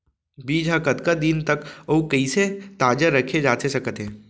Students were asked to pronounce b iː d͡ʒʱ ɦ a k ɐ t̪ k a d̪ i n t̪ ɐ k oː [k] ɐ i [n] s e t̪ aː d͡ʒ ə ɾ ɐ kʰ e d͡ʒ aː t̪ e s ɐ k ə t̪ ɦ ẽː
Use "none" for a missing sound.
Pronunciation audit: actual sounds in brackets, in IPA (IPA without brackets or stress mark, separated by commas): k, none